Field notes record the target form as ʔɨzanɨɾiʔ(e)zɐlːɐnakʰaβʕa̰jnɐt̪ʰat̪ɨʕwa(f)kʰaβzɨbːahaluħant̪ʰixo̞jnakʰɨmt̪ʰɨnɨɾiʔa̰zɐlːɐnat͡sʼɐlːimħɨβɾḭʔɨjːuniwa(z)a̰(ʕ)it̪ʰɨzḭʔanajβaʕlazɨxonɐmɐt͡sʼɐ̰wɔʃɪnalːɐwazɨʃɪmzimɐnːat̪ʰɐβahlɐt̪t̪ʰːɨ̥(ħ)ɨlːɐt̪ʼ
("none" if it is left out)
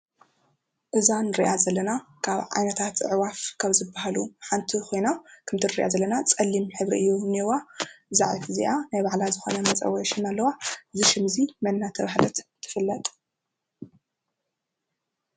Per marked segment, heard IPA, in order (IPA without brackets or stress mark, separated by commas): a, f, z, ʕ, f